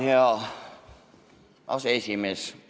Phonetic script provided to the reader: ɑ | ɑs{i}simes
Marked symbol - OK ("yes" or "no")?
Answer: no